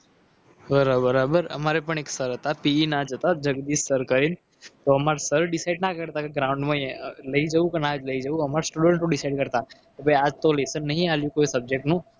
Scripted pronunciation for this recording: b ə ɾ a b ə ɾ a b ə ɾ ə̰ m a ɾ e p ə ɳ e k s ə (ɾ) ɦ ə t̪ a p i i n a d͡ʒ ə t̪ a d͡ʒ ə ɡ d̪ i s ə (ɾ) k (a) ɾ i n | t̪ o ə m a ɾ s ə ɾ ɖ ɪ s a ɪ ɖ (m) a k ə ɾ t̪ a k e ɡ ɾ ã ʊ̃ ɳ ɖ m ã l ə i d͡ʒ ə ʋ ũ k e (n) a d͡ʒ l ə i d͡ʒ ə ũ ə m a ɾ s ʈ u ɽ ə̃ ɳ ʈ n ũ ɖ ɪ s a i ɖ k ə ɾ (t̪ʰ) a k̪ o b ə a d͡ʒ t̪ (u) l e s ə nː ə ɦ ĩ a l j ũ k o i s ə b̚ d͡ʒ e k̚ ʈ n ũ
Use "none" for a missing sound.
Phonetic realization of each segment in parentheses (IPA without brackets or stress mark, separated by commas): ɾ, ɾ, ə, n, n, t̪, o